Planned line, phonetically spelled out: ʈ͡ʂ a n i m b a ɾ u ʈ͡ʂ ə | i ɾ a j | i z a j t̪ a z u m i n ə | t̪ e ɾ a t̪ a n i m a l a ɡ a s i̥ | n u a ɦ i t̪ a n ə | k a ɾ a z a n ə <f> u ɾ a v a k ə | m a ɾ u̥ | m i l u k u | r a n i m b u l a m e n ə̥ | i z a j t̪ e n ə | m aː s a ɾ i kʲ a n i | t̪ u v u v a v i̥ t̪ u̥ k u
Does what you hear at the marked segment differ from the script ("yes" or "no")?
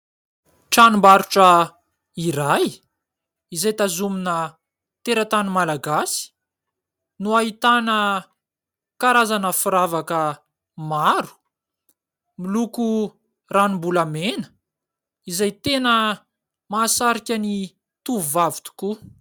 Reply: no